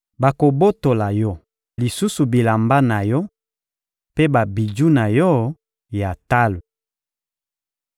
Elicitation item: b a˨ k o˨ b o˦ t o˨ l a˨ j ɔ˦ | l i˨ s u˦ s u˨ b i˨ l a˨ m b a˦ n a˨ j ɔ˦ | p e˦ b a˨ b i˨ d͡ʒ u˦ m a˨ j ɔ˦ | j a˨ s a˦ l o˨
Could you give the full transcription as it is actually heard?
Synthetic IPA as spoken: b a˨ k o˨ b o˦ t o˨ l a˨ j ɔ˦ | l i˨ s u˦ s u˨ b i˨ l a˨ m b a˦ n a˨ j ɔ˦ | p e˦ b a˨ b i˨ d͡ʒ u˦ n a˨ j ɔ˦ | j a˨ t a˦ l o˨